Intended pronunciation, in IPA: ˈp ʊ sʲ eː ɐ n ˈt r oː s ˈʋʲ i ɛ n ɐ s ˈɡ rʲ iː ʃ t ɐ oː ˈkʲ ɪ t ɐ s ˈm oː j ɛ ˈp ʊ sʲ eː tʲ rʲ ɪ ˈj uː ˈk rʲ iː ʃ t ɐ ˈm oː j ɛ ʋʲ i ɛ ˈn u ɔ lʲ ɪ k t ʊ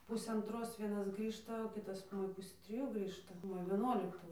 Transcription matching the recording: ˈp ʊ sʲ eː ɐ n ˈt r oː s ˈʋʲ i ɛ n ɐ s ˈɡ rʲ iː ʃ t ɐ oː ˈkʲ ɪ t ɐ s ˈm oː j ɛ ˈp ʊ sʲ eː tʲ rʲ ɪ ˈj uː ˈɡ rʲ iː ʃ t ɐ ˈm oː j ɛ ʋʲ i ɛ ˈn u ɔ lʲ ɪ k t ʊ